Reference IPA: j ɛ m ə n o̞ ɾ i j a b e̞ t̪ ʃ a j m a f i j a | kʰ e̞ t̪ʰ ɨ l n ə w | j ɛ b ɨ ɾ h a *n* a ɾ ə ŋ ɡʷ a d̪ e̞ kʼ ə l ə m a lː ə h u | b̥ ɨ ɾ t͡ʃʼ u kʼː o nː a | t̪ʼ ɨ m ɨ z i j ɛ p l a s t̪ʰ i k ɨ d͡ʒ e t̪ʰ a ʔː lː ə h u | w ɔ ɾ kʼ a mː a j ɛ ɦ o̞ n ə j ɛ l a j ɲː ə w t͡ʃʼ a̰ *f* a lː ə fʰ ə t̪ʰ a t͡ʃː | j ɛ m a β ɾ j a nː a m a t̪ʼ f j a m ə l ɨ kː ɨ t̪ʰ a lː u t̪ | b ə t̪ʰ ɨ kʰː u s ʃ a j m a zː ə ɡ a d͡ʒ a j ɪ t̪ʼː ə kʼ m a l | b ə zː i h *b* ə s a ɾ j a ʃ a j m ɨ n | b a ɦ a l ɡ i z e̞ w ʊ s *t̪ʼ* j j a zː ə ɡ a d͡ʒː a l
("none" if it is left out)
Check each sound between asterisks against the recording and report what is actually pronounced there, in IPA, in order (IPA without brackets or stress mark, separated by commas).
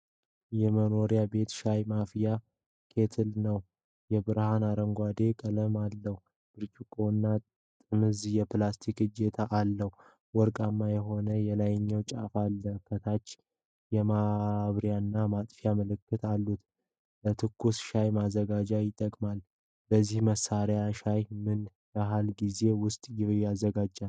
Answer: n, f, m, t̪ʼ